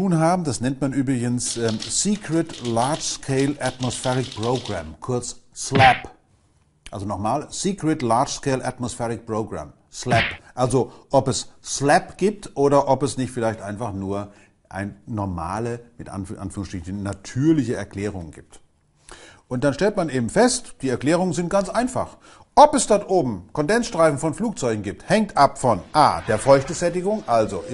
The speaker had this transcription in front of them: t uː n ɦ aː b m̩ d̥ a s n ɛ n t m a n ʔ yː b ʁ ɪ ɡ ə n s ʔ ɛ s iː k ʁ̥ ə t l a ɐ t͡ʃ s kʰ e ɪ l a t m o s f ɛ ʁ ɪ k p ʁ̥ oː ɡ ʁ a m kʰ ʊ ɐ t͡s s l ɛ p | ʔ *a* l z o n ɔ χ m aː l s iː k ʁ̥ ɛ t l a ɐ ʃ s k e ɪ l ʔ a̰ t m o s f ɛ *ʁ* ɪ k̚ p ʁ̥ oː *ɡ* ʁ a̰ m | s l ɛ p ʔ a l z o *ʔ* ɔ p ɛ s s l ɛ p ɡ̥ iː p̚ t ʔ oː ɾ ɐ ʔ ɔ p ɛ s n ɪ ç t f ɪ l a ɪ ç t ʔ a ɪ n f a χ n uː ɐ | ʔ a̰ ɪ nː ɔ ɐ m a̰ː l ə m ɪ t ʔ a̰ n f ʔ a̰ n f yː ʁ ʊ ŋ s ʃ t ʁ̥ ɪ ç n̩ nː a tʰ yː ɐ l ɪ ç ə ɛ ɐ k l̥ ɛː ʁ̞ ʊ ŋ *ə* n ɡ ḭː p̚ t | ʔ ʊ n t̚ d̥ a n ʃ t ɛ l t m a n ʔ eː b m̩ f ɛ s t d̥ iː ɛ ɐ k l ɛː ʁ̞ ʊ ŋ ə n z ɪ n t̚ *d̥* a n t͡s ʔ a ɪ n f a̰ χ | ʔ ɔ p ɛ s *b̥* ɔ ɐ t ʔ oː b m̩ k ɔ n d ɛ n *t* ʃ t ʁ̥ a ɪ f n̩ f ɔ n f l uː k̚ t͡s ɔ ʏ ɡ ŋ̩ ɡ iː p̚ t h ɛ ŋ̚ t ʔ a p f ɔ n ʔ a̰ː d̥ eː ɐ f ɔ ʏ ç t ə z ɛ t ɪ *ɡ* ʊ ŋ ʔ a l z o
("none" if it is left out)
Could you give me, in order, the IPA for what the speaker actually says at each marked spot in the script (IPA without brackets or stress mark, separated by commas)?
a, ʁ, ɡ, ʔ, ə, ɡ̥, d̥, s, ɡ